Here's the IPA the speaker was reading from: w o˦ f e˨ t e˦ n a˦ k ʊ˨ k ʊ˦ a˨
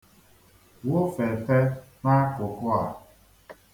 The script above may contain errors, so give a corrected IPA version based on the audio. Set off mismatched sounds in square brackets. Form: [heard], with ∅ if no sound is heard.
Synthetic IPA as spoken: w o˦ f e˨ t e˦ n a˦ k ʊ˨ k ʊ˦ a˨